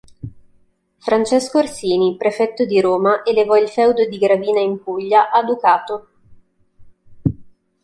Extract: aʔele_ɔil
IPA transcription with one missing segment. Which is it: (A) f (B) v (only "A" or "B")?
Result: B